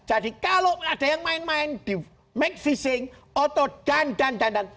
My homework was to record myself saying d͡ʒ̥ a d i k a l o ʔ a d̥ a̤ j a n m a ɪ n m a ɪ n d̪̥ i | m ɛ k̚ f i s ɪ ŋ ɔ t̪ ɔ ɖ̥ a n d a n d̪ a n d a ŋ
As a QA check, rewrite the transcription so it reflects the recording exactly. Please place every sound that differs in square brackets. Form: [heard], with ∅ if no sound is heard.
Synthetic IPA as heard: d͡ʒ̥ a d i k a l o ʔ a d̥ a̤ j a [ŋ] m a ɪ n m a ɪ n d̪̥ i | m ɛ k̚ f i s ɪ ŋ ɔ t̪ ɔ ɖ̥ a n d a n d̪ a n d a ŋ